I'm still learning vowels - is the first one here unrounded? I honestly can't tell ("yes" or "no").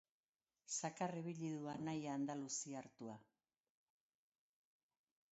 yes